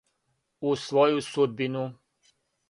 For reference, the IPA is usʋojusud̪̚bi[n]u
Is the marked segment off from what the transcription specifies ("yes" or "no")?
no